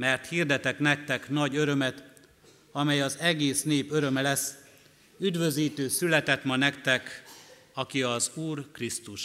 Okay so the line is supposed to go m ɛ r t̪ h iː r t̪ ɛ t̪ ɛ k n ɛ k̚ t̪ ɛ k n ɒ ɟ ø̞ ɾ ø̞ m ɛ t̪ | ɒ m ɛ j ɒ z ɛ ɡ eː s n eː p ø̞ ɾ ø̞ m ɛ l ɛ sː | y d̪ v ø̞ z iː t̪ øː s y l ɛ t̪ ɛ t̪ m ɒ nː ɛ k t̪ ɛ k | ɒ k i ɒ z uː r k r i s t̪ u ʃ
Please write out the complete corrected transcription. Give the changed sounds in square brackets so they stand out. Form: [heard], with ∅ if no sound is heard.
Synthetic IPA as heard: m ɛ r t̪ h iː r [d̪] ɛ t̪ ɛ k n ɛ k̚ t̪ ɛ k n ɒ ɟ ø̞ ɾ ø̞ m ɛ t̪ | ɒ m ɛ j ɒ z ɛ ɡ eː s n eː p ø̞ ɾ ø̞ m ɛ l ɛ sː | y d̪ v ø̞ z iː t̪ øː s y l ɛ t̪ ɛ t̪ m ɒ [n] ɛ k t̪ ɛ k | ɒ k i ɒ z uː r k r i s t̪ u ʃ